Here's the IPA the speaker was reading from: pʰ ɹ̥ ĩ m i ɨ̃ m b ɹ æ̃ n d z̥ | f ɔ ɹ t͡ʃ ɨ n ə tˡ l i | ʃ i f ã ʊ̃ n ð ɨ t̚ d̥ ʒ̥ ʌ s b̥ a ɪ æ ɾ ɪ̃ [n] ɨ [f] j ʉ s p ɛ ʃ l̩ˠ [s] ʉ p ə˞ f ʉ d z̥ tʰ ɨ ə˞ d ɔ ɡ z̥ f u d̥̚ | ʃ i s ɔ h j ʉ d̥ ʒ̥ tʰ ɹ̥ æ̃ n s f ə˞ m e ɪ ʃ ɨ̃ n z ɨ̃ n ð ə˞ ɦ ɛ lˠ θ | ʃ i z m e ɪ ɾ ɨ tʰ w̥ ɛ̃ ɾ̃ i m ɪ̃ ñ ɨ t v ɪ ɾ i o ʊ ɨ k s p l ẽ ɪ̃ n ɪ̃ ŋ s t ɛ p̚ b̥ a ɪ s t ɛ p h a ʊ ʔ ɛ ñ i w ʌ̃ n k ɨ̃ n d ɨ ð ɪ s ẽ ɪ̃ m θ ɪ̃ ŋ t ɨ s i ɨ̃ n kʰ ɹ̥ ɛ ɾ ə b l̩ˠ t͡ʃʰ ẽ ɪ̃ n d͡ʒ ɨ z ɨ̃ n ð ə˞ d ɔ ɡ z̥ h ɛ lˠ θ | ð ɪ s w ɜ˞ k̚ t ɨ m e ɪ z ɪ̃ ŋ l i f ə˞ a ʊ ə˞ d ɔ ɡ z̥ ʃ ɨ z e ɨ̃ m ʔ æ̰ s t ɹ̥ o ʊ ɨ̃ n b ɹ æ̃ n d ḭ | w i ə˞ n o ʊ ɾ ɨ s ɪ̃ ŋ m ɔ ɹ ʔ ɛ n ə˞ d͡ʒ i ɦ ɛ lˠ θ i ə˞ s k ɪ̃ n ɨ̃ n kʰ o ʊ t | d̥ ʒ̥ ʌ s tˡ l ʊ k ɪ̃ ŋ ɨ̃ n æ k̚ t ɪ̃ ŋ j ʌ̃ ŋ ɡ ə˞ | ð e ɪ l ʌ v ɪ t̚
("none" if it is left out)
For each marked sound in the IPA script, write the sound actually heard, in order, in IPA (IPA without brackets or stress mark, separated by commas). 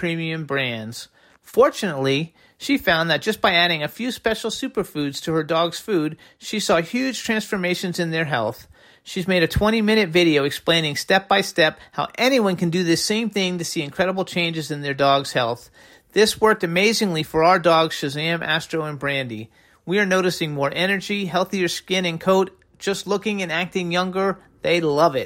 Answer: ŋ, f, s